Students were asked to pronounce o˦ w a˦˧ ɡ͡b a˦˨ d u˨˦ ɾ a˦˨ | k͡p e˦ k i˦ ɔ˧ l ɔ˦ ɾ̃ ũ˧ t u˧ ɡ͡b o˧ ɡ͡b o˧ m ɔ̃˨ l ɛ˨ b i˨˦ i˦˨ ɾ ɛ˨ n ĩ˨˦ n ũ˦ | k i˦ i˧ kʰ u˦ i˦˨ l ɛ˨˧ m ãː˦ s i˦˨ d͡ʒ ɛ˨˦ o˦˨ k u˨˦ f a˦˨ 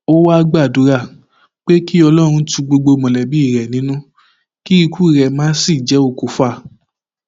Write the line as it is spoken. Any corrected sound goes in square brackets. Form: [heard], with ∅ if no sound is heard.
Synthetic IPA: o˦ w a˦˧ ɡ͡b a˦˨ d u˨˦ ɾ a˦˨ | k͡p e˦ k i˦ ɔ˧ l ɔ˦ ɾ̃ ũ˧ t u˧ ɡ͡b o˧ ɡ͡b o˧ m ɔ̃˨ l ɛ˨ b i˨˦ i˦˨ ɾ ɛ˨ n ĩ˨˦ n ũ˦ | k i˦ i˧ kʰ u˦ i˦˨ [ɾ] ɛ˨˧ m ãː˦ s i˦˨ d͡ʒ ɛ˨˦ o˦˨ k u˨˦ f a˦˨